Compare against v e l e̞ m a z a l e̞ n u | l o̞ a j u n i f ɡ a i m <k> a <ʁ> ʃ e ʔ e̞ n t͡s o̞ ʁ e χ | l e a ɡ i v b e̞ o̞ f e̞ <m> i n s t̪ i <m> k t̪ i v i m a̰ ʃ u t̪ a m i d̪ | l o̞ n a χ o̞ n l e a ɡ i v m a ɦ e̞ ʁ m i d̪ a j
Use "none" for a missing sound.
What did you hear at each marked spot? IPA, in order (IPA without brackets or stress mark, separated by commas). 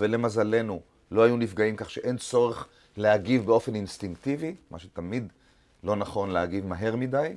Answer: k, χ, n, ŋ